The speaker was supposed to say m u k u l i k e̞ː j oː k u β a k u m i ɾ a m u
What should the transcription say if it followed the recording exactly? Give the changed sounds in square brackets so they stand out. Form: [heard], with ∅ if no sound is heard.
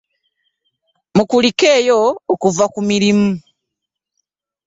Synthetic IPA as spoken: m u k u l i k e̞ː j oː k u [v] a k u m i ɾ [i] m u